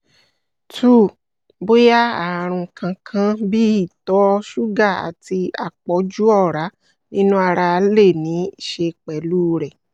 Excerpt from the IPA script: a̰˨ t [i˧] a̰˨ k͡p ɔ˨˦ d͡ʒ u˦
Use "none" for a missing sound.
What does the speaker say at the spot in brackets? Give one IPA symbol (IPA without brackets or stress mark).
i˧